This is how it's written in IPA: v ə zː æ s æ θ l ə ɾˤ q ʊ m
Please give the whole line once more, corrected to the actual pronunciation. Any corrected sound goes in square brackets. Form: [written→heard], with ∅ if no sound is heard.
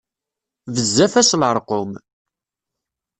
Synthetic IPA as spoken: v ə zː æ [s→f] æ [θ→s] l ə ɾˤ q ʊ m